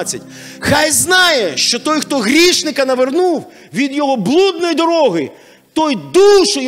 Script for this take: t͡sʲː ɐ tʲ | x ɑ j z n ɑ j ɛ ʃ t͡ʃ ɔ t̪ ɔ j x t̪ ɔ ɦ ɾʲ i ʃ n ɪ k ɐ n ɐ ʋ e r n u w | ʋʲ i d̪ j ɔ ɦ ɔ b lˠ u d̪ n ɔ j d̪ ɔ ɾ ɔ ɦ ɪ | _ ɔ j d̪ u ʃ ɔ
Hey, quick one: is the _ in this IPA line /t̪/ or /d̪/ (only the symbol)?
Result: t̪